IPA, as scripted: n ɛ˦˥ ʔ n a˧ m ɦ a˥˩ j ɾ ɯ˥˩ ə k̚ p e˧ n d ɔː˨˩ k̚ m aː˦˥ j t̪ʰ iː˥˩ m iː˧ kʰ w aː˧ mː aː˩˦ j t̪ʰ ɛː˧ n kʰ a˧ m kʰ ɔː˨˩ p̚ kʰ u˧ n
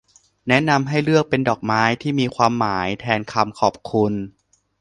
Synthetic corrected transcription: n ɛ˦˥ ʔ n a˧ m ɦ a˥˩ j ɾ ɯ˥˩ ə k̚ p e˧ n d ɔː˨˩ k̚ m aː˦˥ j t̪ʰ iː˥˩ m iː˧ kʰ w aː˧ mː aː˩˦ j t̪ʰ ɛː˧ n kʰ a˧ m kʰ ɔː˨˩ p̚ kʰ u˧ n